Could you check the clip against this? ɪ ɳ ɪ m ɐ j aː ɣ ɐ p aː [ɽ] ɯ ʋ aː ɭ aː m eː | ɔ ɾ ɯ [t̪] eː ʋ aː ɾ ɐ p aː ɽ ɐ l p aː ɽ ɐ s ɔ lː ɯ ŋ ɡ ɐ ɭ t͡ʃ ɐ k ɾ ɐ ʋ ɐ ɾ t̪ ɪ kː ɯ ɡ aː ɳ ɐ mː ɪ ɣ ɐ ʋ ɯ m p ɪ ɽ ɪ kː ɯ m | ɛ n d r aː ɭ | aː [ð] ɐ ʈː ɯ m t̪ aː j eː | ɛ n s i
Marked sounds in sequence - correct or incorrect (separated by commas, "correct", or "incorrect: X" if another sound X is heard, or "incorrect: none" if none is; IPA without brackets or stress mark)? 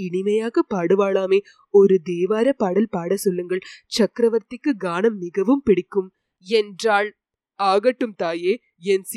correct, incorrect: d̪, incorrect: ɣ